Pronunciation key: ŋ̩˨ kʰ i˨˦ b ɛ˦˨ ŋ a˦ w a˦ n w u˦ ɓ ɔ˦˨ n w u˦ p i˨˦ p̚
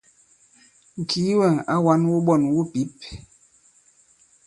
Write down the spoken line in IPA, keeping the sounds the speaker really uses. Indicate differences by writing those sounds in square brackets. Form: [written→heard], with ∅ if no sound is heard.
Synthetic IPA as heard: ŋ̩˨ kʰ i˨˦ [b→w] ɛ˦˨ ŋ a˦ w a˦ n w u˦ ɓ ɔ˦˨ n w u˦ p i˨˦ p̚

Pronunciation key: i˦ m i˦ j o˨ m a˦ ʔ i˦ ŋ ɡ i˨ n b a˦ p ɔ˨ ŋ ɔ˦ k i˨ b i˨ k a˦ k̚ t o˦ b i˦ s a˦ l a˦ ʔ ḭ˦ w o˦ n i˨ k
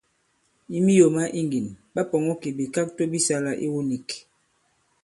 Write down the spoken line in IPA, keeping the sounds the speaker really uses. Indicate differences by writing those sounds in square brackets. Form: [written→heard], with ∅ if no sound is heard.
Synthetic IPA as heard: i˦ m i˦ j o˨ m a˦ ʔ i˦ ŋ ɡ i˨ n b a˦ p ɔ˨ ŋ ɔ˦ k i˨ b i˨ k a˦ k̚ t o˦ b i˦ s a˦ l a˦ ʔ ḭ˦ w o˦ n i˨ k

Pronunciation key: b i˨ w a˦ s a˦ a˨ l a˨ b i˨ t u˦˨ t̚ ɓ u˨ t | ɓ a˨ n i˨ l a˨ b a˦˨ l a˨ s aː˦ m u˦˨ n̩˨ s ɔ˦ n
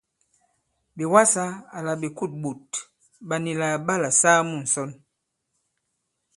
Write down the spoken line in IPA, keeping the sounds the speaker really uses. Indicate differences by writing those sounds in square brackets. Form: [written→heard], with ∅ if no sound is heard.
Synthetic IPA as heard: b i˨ w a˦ s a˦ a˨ l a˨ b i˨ [t→k] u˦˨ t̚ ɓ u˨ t | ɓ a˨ n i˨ l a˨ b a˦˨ l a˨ s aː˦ m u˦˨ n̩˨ s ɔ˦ n

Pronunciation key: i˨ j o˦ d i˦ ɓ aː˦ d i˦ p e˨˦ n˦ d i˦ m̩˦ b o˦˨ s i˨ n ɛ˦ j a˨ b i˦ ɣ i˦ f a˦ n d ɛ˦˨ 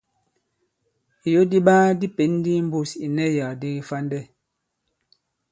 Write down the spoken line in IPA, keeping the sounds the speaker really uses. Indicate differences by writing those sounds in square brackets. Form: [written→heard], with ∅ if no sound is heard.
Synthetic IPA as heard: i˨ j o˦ d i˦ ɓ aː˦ d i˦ p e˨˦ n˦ d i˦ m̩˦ b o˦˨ s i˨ n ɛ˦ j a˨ [b→d] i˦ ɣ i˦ f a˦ n d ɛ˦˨

